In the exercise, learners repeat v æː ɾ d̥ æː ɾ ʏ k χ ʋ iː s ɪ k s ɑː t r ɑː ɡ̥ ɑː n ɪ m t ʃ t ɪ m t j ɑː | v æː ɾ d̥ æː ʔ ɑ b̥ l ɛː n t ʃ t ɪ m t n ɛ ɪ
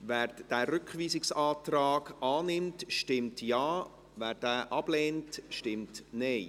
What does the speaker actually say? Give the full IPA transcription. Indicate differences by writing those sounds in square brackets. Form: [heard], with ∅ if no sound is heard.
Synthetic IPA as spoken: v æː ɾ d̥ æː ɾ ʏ k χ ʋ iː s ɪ k s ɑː t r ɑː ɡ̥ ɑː n ɪ m t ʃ t ɪ m t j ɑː | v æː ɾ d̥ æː ʔ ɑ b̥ l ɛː n t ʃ t ɪ m t n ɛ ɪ